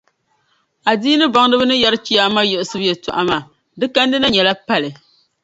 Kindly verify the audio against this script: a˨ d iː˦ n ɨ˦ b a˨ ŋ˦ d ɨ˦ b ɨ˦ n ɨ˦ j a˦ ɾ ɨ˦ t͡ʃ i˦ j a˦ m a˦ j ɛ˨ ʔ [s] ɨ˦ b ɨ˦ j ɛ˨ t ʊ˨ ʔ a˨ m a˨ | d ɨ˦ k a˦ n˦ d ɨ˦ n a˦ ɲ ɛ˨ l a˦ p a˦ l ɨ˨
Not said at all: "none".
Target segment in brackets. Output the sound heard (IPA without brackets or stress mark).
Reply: s